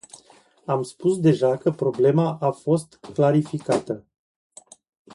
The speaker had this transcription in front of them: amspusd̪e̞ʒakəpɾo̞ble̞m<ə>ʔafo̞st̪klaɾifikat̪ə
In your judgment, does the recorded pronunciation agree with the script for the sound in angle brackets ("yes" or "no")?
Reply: no